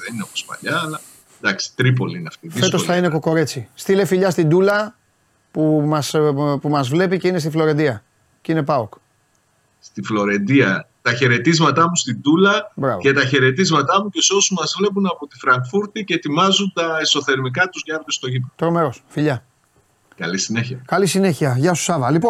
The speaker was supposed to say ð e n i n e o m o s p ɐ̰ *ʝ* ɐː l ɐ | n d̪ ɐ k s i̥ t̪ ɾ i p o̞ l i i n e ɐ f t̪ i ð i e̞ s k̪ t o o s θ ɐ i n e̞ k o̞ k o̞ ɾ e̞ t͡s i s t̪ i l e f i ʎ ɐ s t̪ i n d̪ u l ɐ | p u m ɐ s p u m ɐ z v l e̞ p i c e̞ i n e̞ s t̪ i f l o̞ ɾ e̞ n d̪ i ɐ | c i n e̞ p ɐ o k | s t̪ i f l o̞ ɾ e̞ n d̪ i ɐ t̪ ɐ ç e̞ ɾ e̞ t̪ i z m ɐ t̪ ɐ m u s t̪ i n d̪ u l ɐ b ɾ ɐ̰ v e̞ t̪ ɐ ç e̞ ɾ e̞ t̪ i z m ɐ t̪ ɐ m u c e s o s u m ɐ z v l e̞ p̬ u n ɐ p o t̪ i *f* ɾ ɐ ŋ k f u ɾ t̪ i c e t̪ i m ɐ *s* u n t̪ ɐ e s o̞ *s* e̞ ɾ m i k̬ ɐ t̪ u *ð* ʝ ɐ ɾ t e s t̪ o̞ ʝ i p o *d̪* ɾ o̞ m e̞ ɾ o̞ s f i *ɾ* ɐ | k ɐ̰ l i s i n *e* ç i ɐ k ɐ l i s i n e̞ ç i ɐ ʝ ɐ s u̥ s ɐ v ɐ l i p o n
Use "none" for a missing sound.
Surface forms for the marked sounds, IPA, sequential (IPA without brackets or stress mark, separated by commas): ʎ, f, z, θ, z, t̪, ʎ, e